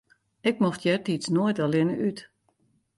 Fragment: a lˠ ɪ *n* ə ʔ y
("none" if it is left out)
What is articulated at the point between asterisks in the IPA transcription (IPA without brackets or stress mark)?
n